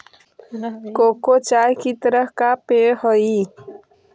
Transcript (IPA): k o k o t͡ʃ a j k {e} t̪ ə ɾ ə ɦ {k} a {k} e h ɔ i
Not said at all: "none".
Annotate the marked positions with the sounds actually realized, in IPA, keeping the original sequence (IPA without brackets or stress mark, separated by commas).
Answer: i, k, p